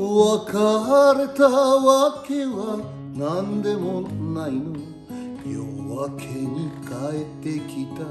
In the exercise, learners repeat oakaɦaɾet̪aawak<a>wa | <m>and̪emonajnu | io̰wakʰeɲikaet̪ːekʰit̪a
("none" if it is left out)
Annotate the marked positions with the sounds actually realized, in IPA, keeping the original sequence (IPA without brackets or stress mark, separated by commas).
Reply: e, n